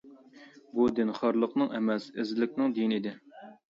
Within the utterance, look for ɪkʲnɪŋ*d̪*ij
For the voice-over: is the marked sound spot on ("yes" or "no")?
yes